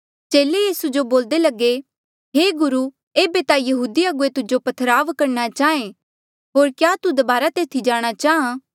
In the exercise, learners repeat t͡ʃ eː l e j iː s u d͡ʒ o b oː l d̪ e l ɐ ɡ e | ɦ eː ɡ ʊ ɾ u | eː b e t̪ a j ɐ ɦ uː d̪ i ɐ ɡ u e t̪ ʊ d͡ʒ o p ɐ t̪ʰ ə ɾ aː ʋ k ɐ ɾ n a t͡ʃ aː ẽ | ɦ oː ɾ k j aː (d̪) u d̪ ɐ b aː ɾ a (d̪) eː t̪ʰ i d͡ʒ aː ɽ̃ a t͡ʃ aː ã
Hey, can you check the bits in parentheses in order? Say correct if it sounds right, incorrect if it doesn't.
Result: incorrect: t̪, incorrect: t̪

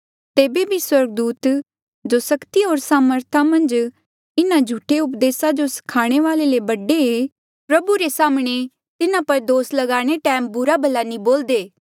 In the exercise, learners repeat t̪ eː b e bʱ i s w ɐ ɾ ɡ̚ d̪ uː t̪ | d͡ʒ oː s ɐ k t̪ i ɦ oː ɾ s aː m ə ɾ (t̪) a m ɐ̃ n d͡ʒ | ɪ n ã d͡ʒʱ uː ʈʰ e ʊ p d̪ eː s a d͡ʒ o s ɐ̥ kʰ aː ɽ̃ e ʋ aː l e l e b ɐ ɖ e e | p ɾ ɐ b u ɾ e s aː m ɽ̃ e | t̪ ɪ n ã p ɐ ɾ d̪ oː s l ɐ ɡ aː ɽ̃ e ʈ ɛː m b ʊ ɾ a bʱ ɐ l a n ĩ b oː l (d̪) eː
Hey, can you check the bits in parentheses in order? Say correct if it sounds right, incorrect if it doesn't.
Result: incorrect: t̪ʰ, correct

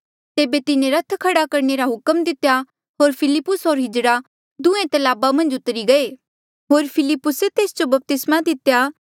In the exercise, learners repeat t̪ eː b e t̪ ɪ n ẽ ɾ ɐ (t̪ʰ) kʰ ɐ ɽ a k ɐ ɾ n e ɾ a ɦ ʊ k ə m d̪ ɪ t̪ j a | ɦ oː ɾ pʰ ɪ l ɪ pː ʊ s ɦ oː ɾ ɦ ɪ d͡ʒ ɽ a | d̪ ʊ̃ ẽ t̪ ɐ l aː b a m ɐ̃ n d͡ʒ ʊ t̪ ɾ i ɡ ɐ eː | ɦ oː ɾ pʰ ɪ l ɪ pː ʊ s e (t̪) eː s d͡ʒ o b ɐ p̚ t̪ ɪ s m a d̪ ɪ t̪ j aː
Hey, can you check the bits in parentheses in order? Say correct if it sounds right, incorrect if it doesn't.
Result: correct, correct

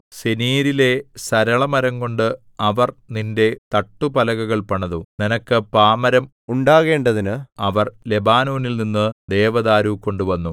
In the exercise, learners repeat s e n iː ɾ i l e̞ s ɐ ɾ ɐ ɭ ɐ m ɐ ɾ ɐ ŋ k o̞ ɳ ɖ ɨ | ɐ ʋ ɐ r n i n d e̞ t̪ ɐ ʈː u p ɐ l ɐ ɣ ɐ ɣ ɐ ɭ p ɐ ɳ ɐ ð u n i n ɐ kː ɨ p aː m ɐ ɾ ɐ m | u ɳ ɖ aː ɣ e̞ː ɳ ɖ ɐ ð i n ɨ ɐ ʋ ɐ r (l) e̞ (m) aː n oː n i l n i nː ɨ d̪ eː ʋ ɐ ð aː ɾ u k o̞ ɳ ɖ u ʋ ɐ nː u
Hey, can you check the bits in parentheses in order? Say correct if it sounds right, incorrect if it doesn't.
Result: correct, incorrect: b

